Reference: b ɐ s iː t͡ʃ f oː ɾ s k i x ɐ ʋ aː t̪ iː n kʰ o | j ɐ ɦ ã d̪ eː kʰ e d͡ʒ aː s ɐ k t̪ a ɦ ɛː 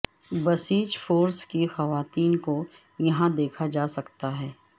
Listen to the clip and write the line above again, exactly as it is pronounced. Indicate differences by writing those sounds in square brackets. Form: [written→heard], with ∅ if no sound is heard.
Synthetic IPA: b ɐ s iː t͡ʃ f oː ɾ s k i x ɐ ʋ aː t̪ iː n [kʰ→k] o | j ɐ ɦ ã d̪ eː kʰ [e→a] d͡ʒ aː s ɐ k t̪ a ɦ ɛː